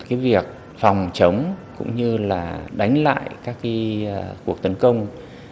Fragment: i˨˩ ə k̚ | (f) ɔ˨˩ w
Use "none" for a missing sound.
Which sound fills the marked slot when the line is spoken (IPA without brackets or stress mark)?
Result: f